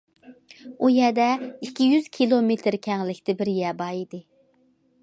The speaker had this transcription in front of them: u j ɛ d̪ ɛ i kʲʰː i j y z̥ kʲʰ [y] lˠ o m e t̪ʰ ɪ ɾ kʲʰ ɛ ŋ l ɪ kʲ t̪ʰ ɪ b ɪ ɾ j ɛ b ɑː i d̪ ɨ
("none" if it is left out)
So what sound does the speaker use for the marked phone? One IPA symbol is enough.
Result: i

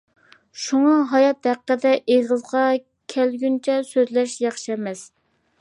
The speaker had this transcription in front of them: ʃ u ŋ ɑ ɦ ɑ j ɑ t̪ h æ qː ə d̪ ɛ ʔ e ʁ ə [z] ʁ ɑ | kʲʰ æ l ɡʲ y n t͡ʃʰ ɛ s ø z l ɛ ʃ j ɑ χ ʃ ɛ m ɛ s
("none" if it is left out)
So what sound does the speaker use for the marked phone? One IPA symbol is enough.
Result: z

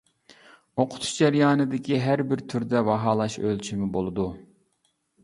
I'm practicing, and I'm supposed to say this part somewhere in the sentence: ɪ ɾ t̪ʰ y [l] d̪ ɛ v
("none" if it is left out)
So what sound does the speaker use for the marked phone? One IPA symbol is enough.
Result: ɾ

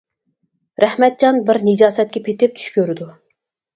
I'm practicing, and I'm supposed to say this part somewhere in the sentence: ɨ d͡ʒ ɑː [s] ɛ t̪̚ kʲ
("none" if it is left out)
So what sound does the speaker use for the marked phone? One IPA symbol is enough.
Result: s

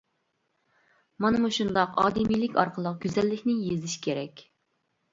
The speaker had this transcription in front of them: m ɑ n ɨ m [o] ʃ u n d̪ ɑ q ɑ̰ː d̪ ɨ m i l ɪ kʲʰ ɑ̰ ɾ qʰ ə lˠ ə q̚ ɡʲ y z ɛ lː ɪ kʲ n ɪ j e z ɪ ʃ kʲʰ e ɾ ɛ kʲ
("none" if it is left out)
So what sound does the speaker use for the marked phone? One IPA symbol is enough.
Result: u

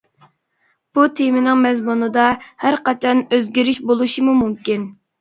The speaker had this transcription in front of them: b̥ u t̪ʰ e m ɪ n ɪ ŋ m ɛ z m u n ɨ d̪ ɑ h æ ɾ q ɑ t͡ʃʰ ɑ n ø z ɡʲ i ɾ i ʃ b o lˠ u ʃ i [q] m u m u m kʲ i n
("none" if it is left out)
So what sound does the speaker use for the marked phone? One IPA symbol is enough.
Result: none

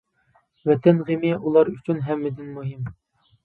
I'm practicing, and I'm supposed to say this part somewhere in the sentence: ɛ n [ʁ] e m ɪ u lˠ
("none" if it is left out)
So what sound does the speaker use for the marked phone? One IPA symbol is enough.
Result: ʁ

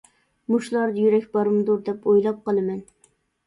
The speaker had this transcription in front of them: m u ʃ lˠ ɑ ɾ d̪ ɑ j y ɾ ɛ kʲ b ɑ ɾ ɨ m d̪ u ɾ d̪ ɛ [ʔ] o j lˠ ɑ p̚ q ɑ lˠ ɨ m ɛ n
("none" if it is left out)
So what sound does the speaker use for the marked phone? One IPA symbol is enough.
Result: p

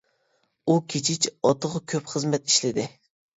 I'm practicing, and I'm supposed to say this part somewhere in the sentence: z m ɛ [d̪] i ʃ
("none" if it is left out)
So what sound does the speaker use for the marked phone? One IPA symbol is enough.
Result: t̪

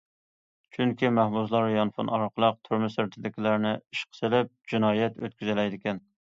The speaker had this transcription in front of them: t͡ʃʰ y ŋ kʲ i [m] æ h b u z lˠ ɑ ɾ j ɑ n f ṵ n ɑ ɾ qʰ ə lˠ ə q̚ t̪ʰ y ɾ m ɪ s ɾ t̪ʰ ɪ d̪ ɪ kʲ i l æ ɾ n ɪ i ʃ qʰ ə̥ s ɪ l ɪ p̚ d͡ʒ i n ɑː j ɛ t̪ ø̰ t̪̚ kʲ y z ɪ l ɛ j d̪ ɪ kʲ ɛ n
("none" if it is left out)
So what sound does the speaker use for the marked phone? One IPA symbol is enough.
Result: m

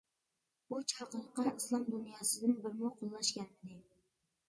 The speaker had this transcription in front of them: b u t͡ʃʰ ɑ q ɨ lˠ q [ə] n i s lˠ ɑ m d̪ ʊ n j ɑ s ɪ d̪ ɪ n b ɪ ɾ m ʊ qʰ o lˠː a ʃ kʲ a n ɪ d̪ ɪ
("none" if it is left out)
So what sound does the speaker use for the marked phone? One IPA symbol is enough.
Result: ɑ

